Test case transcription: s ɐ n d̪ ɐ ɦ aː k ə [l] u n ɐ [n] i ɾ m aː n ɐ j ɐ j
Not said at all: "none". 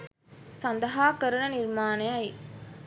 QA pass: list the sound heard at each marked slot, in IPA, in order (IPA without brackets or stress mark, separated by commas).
ɾ, n